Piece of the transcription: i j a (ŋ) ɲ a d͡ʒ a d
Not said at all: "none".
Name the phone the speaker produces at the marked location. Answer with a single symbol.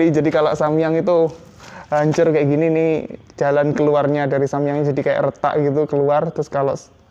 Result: ŋ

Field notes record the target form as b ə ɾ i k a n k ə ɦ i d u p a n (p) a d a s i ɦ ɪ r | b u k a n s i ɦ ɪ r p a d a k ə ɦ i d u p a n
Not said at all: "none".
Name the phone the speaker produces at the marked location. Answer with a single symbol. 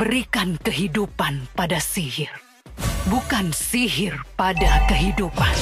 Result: p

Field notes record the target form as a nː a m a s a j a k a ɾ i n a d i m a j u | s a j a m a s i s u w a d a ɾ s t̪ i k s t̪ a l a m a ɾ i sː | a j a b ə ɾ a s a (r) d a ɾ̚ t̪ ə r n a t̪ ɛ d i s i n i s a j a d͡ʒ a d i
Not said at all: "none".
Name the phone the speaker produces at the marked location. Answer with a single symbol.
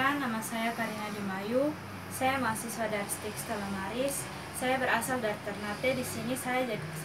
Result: l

